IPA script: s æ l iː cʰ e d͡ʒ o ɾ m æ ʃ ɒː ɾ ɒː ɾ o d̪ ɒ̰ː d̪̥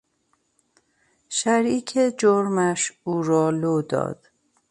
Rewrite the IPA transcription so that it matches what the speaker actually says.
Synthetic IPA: ʃ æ ɾ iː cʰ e d͡ʒ o ɾ m æ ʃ uː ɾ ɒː l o d̪ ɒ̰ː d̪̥